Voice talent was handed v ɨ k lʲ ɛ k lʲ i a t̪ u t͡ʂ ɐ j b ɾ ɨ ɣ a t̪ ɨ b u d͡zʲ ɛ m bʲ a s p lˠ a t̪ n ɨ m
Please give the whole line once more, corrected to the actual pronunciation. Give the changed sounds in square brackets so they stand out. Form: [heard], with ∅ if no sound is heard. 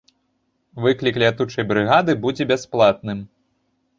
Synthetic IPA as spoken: v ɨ k lʲ [i] k lʲ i a t̪ u t͡ʂ ɐ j b ɾ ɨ ɣ a [d̪] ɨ b u d͡zʲ ɛ [∅] bʲ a s p lˠ a t̪ n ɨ m